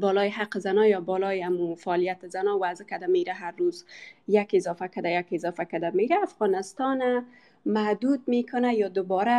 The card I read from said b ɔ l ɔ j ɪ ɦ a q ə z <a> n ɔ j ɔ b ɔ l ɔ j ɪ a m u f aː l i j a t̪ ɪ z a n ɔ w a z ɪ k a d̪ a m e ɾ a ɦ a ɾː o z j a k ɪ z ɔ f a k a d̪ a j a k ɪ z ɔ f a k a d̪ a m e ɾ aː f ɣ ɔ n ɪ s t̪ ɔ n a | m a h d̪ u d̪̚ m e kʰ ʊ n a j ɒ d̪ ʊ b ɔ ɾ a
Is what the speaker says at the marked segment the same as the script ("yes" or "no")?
yes